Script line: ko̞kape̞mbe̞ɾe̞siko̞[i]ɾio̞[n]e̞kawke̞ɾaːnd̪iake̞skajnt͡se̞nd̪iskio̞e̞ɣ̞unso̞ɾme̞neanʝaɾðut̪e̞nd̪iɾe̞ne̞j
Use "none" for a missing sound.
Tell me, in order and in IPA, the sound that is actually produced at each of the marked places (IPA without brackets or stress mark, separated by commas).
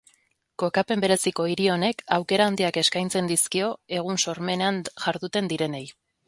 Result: i, n